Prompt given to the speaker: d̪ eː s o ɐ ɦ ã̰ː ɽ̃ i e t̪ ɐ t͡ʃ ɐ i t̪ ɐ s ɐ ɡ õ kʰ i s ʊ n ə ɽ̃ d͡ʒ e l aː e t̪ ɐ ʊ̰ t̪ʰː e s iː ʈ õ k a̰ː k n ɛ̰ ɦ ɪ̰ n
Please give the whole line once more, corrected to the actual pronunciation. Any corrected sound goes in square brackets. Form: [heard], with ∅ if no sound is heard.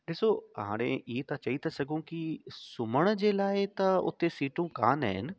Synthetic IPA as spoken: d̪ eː s o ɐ ɦ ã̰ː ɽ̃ [e] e t̪ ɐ t͡ʃ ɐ i t̪ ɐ s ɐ ɡ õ [k] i s ʊ [m] ə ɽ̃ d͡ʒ e l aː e t̪ ɐ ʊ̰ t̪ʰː e s iː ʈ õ k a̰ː [∅] n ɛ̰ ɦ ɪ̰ n